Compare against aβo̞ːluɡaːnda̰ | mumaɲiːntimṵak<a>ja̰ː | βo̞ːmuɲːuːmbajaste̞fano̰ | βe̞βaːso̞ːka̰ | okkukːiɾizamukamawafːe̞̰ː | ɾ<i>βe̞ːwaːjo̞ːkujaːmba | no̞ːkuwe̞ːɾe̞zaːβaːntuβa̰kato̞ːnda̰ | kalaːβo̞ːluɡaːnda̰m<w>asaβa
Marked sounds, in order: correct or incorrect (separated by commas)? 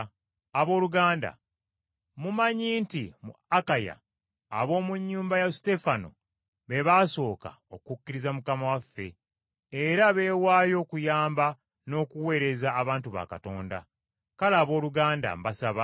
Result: correct, incorrect, incorrect